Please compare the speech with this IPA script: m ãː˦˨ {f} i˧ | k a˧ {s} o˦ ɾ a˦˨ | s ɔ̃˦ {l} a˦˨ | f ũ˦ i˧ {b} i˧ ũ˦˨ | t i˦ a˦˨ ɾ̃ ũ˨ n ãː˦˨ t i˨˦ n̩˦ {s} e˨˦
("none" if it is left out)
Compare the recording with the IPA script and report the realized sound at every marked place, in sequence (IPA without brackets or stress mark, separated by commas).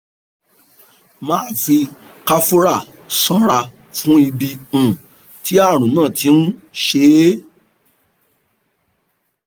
f, f, ɾ, b, ʃ